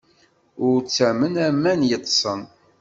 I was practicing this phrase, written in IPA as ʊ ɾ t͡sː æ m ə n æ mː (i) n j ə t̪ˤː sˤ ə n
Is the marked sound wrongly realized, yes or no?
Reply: yes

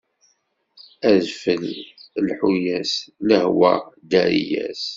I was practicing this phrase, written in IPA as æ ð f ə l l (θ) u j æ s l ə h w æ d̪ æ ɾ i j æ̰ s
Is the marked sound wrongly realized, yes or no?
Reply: yes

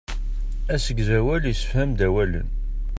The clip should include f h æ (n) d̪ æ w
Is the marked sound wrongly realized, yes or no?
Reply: yes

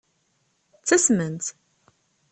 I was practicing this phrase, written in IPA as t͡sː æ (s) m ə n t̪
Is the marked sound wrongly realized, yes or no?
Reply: no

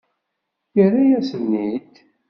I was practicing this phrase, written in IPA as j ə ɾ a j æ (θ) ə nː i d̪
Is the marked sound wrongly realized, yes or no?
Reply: yes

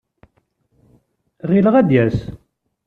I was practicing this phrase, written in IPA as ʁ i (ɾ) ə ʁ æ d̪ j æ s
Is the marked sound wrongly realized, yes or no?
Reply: yes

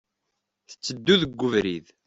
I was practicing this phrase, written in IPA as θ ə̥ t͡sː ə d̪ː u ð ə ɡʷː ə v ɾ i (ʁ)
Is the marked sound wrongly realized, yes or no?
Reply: yes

